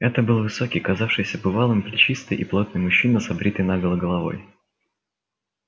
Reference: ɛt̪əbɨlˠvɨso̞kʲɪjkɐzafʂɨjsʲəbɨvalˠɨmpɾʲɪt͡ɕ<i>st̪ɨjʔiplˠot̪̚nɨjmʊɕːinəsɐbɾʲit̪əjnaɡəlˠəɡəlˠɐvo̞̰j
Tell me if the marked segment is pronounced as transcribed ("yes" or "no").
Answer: yes